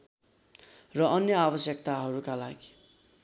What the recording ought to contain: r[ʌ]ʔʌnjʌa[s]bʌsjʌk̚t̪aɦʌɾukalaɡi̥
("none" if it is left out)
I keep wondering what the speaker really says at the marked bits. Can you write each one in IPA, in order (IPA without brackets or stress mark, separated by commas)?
ʌ, none